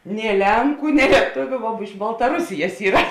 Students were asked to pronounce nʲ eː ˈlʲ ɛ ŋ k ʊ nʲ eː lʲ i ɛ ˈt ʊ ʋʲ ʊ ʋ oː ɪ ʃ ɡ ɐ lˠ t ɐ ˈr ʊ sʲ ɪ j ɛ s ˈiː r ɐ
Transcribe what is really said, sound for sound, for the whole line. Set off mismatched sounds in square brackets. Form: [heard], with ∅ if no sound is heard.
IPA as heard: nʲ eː ˈlʲ ɛ ŋ k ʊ nʲ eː lʲ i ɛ ˈt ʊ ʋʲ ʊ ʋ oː ɪ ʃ [b] ɐ lˠ t ɐ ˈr ʊ sʲ ɪ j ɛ s ˈiː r ɐ